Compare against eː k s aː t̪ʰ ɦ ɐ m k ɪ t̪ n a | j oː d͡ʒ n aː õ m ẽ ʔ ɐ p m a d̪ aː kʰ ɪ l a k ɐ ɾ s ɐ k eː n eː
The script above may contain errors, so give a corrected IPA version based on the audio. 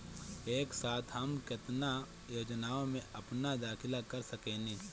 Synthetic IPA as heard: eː k s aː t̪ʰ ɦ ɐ m k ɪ t̪ n a | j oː d͡ʒ n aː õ m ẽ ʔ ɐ p n a d̪ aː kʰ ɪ l a k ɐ ɾ s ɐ k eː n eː

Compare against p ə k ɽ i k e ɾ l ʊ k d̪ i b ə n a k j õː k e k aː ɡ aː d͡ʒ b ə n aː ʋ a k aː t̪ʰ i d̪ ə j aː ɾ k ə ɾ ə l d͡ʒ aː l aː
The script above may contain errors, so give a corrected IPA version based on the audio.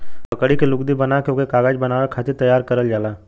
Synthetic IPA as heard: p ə k ɽ i k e l ʊ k d̪ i b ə n a k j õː k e k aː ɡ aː d͡ʒ b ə n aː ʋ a kʰ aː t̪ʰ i t̪ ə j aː ɾ k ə ɾ ə l d͡ʒ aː l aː

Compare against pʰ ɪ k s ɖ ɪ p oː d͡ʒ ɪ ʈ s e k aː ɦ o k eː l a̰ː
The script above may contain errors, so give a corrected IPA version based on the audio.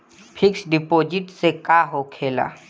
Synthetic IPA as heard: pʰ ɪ k s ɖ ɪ p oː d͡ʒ ɪ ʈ s e k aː ɦ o kʰ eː l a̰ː

